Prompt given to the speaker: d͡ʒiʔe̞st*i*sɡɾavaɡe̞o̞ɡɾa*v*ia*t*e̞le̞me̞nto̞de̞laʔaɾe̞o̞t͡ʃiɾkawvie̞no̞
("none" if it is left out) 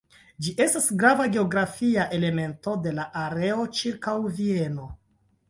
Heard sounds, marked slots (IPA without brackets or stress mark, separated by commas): a, f, ʔ